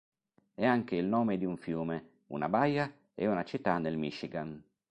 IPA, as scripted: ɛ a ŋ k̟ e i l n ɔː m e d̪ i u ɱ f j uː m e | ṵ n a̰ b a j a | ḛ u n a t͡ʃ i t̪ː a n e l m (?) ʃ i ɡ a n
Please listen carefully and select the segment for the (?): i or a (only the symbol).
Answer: i